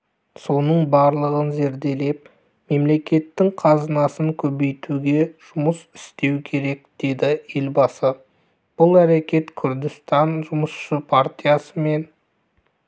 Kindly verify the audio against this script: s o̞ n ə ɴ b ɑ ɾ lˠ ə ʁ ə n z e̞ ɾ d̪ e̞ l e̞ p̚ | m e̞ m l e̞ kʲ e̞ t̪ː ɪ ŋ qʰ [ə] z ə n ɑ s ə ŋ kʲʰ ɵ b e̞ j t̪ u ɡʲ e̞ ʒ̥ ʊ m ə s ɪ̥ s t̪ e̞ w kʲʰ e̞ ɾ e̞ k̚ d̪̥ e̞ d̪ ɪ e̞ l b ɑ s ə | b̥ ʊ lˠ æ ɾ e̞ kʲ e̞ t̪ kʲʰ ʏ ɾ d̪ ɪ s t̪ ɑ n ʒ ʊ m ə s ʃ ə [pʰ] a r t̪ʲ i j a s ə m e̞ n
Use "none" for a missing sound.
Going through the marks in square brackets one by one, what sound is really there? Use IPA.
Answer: ɑ, pʰ

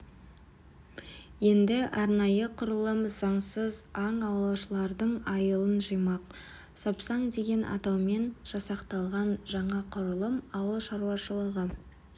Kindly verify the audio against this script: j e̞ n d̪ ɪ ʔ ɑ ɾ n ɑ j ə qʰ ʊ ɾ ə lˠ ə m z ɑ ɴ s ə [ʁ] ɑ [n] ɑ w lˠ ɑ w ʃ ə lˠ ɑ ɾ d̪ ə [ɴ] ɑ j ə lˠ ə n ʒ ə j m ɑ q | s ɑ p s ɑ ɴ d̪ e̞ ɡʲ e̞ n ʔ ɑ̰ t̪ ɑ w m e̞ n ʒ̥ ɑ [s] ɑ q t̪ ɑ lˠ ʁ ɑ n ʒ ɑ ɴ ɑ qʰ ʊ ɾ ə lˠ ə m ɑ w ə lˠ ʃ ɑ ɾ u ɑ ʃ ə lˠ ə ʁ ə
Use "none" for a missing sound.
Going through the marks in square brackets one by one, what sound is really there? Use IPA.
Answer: z, ɴ, ɴ, s

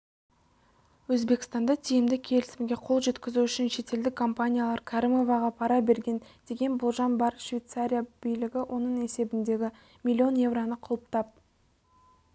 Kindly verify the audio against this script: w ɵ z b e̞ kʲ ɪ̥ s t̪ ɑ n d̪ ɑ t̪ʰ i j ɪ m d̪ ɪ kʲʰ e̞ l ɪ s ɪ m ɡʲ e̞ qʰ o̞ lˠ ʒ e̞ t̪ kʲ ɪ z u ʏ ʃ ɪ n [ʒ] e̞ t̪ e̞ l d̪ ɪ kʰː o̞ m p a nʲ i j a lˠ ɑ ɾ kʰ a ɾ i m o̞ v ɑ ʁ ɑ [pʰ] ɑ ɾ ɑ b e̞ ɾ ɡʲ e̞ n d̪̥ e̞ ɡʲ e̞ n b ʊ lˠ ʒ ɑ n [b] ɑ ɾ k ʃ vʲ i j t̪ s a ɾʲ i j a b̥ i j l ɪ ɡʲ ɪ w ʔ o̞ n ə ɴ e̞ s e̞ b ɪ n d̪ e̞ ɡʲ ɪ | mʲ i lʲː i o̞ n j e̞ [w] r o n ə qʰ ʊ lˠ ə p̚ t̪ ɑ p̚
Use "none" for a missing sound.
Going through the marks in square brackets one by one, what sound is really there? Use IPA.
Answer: ʃ, pʰ, b, v

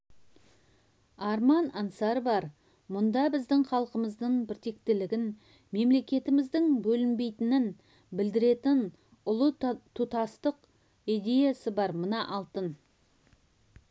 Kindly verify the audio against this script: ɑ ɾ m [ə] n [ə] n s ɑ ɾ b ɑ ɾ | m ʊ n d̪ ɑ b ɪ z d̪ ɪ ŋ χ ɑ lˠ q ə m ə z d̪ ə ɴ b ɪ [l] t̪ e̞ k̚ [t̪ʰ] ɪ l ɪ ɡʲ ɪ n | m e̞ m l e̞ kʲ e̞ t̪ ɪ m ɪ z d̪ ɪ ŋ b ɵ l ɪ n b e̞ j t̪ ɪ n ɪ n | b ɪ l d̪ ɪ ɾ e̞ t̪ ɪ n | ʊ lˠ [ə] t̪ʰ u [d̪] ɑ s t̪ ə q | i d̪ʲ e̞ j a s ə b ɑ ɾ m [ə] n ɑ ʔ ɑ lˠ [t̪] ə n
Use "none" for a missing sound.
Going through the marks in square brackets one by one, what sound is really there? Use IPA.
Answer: ɑ, ɑ, ɾ, t̪, ə, t̪, ə, t̪

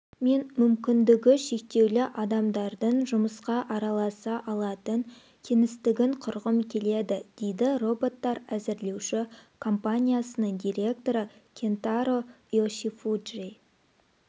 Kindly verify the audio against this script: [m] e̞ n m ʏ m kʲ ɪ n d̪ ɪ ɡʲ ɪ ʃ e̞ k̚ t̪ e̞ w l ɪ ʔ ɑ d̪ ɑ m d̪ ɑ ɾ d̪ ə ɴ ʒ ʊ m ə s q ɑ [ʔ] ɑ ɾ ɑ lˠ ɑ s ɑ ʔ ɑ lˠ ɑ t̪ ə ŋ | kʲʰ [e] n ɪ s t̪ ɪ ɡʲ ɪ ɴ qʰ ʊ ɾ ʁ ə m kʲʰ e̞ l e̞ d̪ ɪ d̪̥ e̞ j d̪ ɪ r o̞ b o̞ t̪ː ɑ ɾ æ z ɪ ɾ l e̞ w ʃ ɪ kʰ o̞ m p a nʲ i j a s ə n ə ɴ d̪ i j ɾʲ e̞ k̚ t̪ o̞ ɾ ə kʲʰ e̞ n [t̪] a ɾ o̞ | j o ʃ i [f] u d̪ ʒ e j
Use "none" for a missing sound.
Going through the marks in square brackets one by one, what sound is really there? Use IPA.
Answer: m, ʔ, e, t̪, f

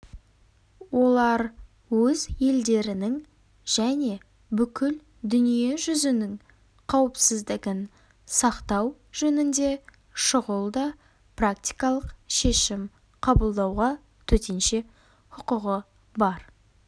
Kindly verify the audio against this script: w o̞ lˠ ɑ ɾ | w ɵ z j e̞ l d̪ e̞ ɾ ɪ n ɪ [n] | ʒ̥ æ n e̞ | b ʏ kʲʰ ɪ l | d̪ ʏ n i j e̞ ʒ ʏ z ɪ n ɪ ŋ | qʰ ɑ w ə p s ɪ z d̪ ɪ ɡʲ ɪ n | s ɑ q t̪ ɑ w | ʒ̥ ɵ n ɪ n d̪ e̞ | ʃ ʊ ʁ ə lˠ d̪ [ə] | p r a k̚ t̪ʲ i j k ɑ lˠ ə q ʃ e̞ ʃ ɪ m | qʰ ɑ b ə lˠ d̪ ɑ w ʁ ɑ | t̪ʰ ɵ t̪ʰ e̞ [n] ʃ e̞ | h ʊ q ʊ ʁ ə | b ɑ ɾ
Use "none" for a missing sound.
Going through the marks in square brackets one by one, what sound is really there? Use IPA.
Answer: ŋ, ɑ, n

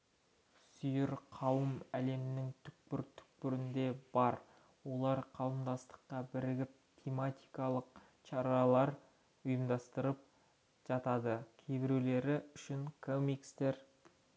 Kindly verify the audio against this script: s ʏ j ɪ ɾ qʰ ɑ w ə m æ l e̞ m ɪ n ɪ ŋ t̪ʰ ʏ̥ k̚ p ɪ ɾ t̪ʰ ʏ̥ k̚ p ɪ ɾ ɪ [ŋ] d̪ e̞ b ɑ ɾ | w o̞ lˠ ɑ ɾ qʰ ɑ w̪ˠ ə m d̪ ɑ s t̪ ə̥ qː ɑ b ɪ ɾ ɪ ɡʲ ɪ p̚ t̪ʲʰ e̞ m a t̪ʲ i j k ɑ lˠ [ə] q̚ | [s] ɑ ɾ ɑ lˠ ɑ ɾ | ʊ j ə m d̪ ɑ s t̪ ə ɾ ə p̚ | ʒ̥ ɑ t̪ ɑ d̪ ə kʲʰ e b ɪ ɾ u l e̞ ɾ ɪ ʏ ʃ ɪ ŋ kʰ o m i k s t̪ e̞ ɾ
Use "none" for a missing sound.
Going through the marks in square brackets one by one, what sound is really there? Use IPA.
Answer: n, ə, ʃ

